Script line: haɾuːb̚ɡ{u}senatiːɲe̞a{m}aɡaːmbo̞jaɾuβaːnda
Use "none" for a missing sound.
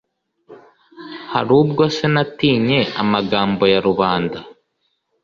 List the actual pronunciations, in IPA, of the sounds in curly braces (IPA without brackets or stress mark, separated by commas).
o, m